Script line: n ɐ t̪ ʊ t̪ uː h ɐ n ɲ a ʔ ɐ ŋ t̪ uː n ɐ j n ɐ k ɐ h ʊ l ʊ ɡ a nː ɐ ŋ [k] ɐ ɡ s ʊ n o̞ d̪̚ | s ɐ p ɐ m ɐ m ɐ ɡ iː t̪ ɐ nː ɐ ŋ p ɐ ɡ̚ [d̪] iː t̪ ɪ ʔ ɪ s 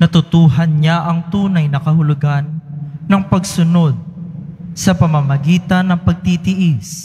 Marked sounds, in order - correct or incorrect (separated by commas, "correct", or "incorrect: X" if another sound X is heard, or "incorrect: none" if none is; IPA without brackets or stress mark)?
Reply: incorrect: p, incorrect: t̪